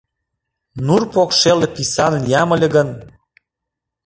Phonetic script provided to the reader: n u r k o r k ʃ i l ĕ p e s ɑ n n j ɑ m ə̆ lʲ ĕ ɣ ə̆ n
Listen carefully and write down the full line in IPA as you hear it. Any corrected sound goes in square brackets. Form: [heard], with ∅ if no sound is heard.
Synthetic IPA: n u r [p] o [∅] k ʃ [e] l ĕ p [i] s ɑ n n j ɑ m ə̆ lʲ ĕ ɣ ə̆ n